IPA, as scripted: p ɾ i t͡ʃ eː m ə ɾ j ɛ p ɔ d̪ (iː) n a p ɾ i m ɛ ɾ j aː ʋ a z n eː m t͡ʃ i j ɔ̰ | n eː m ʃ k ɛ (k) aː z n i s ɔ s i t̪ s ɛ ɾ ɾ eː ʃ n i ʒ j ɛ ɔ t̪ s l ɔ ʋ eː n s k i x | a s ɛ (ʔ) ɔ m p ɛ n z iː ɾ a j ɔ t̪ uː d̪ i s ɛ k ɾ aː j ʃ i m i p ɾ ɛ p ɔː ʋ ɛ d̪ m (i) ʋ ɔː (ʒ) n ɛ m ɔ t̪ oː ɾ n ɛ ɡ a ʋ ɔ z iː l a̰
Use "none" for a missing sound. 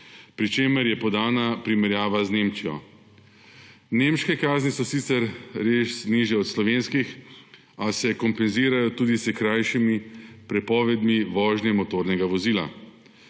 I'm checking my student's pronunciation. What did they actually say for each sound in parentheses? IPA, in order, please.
aː, k, k, i, ʒ

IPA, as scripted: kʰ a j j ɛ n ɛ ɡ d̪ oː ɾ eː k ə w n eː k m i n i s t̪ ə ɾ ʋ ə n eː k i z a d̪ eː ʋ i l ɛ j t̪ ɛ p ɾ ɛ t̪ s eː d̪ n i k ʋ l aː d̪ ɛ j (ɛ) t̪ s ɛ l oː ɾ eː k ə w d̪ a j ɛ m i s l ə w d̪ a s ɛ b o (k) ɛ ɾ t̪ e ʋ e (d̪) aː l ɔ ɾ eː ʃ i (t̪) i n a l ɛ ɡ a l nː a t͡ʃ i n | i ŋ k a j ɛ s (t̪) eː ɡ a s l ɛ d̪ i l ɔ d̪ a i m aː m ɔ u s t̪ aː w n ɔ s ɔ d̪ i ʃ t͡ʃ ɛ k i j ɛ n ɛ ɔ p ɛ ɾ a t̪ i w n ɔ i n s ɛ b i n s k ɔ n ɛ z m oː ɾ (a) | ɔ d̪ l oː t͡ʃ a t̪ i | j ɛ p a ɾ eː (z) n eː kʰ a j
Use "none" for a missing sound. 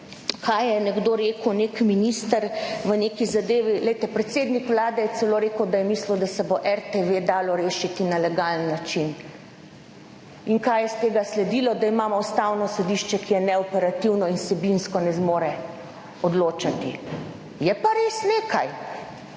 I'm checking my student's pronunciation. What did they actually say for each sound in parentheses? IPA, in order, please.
ɛ, ʔ, d̪, t̪, t̪, ɛ, s

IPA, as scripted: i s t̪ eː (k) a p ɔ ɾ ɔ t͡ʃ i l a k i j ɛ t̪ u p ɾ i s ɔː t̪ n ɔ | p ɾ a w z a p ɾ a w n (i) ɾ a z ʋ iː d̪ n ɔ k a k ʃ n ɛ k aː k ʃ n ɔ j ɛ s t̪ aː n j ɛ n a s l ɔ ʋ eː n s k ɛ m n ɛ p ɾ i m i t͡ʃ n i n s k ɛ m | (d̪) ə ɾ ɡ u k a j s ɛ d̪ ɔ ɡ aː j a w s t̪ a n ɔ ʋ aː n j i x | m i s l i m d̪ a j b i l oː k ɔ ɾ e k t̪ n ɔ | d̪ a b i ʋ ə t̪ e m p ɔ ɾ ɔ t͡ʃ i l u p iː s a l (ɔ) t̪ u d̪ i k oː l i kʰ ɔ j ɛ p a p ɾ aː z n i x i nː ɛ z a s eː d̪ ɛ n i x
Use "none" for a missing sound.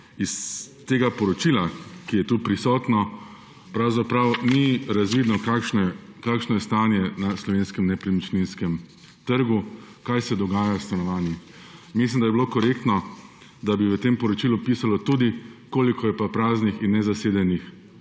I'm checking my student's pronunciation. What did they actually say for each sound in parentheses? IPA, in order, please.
ɡ, i, t̪, ɔ

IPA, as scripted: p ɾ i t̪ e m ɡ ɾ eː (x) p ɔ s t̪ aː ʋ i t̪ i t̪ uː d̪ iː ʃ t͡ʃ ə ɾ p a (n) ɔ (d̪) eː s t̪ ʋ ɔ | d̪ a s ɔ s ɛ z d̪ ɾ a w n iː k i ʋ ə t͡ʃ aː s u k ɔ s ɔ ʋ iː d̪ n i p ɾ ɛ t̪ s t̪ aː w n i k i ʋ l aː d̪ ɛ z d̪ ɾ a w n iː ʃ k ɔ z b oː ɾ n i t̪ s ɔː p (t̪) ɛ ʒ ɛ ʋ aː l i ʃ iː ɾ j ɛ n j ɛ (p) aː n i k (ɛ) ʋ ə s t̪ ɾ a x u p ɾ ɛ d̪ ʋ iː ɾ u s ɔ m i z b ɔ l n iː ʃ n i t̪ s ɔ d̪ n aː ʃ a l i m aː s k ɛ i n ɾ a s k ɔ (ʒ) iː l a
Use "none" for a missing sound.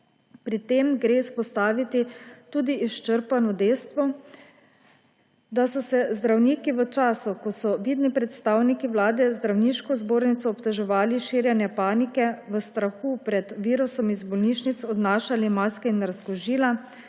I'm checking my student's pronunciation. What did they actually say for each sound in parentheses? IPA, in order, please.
s, n, d̪, t̪, p, ɛ, ʒ

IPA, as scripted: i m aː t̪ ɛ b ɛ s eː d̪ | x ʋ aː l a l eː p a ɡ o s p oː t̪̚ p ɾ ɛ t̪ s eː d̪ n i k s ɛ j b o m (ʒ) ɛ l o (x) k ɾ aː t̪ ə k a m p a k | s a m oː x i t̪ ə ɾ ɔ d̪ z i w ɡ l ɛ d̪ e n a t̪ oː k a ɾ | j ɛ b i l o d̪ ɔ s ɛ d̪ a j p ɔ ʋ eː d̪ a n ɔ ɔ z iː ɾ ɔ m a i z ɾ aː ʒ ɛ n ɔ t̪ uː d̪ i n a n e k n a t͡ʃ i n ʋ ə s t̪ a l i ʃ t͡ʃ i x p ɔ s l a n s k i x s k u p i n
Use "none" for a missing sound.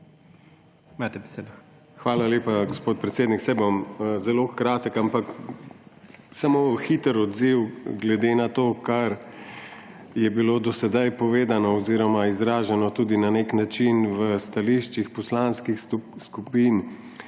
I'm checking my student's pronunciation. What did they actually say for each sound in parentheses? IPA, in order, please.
z, x

